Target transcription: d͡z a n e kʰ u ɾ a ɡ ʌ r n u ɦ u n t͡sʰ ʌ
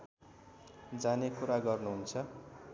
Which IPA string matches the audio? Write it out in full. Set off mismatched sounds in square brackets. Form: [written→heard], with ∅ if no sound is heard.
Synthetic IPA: d͡z a n e [kʰ→k] u ɾ a ɡ ʌ r n u ɦ u n t͡sʰ ʌ